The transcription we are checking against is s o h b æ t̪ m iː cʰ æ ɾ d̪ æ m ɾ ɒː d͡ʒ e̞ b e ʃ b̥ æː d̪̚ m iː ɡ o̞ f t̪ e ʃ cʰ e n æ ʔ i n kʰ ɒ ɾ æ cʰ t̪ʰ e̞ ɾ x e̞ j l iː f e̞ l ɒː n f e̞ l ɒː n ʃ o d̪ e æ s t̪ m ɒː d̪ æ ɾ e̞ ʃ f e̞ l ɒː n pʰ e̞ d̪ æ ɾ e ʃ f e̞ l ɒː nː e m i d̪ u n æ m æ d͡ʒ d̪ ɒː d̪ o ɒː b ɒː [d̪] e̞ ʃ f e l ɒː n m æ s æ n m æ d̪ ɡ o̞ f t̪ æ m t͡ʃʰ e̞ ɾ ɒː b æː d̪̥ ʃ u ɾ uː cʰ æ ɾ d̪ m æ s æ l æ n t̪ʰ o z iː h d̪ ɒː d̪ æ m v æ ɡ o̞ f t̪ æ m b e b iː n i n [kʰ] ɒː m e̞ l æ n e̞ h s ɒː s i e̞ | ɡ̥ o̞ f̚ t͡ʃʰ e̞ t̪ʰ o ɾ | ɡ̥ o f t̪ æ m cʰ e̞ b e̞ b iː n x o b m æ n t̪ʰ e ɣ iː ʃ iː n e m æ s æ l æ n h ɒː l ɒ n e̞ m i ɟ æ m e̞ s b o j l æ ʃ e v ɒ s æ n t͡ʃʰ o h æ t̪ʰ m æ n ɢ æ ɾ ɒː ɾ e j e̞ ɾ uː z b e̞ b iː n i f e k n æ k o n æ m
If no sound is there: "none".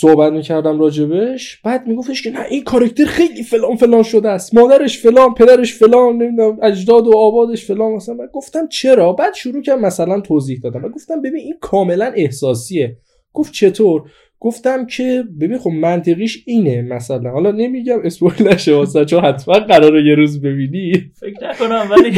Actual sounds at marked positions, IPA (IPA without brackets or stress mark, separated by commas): d̪, kʰ